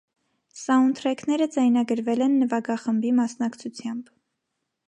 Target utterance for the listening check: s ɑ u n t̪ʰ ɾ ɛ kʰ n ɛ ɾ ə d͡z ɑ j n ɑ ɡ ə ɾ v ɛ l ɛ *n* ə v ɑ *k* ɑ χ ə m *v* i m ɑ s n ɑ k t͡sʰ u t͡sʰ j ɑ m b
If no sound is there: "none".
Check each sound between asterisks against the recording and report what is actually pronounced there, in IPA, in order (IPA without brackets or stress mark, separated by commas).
nː, ɡ, b